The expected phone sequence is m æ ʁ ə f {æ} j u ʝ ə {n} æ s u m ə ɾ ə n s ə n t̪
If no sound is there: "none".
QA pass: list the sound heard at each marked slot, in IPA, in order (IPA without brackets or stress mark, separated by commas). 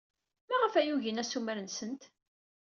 æ, n